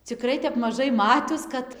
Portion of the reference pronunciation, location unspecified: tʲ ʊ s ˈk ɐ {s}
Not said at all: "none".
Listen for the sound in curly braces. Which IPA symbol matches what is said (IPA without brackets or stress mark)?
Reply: t